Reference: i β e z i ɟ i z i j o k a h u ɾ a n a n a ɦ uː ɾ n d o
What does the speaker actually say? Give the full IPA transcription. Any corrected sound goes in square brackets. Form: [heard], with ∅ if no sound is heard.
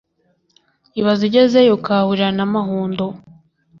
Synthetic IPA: i β [a] z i ɟ [e] z [e] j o k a h u ɾ a n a [m] a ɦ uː [∅] n d o